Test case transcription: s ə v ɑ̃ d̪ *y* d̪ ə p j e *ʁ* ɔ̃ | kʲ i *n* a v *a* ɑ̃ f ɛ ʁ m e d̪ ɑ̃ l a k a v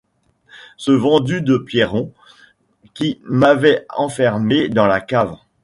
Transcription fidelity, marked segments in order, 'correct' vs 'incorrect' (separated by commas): correct, correct, incorrect, incorrect